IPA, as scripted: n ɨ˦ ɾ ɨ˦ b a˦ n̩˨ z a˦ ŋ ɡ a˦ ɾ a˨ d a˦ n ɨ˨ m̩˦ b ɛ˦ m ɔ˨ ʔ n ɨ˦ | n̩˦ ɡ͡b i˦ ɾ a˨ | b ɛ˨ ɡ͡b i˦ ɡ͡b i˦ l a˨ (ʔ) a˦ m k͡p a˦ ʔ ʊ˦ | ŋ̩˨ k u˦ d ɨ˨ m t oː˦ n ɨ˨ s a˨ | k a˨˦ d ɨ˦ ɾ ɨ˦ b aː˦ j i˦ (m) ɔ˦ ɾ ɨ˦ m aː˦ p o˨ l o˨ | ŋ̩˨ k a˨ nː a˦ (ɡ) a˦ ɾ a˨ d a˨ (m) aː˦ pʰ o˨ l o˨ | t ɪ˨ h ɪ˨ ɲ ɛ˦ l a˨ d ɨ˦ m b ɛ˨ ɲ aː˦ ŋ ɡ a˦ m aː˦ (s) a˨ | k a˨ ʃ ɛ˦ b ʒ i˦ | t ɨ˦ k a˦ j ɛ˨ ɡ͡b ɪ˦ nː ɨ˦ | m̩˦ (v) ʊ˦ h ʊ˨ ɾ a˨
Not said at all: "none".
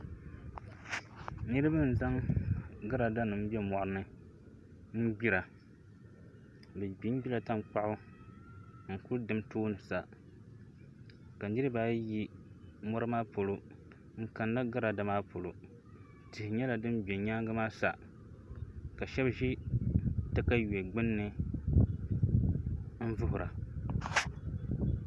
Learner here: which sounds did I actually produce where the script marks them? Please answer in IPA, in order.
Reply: t, m, ɡ, m, s, v

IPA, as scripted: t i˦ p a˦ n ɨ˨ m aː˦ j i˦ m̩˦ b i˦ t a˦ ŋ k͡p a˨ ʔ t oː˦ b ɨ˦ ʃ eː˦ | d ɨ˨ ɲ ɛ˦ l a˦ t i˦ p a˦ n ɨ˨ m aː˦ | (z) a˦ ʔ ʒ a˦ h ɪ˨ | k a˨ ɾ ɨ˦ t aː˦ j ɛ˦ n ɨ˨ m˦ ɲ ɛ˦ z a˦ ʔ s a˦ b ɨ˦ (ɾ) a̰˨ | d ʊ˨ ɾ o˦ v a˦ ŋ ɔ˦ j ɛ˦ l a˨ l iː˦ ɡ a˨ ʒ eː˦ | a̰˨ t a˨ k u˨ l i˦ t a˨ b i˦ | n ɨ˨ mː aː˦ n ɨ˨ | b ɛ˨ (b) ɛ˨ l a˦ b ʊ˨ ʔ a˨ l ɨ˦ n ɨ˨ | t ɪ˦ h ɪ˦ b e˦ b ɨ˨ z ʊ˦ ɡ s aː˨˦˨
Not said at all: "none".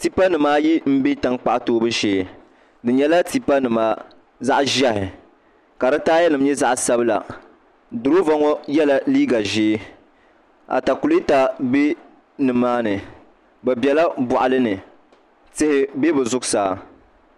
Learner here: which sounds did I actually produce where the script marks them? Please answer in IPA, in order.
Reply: z, l, b

